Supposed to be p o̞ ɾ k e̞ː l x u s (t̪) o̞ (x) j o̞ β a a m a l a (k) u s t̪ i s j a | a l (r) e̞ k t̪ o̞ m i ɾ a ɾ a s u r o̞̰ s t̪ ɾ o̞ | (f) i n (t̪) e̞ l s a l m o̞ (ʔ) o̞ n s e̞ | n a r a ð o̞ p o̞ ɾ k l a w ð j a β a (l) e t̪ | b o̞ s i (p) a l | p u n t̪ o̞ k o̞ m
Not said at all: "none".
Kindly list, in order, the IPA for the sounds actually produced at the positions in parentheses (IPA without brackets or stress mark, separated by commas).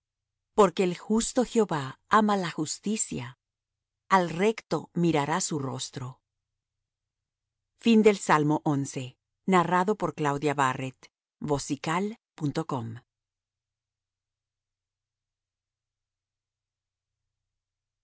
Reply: t̪, x, x, r, f, d̪, ʔ, r, k